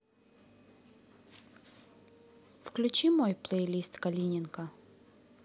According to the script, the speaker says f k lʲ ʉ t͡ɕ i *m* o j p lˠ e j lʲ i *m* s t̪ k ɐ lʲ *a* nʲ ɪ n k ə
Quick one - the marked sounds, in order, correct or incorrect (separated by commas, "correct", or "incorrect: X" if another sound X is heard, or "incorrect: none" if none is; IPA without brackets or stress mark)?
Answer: correct, incorrect: none, incorrect: i